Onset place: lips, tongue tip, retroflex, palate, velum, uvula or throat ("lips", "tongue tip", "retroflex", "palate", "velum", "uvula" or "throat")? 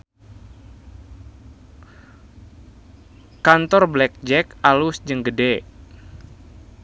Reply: velum